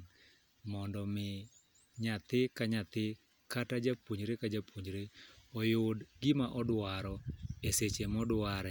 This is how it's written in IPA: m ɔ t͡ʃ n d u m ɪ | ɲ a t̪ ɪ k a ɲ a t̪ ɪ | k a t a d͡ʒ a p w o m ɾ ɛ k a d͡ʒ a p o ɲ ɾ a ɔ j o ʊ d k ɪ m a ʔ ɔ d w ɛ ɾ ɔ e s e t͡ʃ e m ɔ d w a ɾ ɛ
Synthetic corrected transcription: m ɔ n d ɔ m ɪ | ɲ a t̪ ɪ k a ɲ a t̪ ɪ | k a t a d͡ʒ a p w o ɲ ɾ e k a d͡ʒ a p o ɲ ɾ e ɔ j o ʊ d ɡ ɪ m a ʔ ɔ d w a ɾ ɔ e s e t͡ʃ e m ɔ d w a ɾ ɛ